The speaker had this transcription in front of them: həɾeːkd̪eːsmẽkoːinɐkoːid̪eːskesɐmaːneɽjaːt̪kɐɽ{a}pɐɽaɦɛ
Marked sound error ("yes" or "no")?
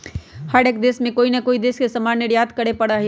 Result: yes